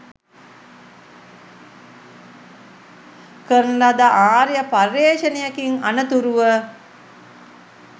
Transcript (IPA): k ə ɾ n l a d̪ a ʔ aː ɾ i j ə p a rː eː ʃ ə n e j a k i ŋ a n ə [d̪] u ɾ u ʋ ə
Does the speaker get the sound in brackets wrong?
yes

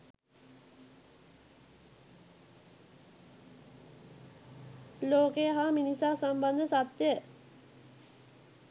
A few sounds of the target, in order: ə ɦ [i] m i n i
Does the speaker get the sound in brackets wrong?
yes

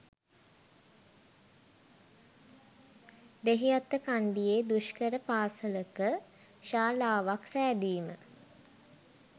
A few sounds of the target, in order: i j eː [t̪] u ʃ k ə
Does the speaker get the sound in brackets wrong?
yes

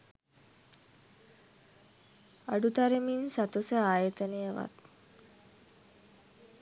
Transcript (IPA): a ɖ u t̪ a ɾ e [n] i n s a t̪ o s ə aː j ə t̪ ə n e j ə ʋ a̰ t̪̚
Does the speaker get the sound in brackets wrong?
yes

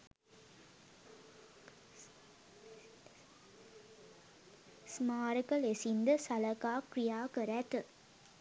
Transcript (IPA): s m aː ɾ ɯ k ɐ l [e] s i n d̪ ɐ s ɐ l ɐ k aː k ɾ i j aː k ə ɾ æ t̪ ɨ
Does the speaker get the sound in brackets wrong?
no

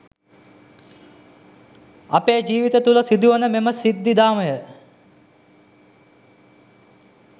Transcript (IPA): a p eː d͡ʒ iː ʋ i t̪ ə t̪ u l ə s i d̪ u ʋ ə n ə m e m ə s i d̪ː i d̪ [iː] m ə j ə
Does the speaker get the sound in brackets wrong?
yes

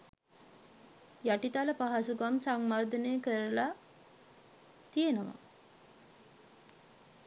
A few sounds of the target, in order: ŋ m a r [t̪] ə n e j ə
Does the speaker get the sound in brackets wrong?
yes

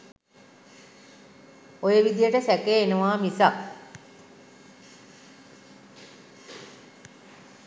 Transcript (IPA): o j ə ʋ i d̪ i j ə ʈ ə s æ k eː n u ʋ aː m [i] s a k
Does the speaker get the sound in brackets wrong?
no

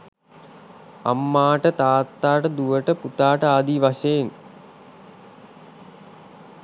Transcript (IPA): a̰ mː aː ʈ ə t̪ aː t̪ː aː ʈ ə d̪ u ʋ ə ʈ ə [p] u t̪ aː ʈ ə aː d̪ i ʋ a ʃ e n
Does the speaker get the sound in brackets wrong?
no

